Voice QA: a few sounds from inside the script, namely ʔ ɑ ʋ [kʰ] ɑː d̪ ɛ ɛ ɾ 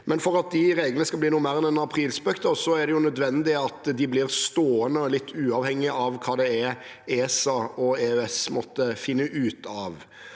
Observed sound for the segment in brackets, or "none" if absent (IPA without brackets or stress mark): kʰ